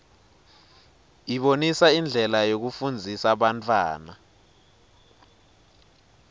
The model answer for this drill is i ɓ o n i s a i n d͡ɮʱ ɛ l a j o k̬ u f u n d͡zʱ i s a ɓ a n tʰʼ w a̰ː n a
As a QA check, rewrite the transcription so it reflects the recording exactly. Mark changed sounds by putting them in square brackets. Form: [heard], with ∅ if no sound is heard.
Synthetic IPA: i ɓ o n i s a i n d͡ɮʱ ɛ l a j o k̬ u f u n d͡zʱ i s a ɓ a n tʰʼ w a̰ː n a